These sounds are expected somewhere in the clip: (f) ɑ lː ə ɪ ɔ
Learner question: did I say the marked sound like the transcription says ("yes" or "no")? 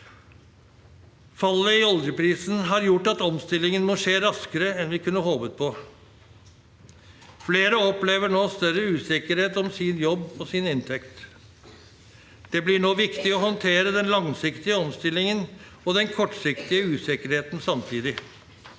yes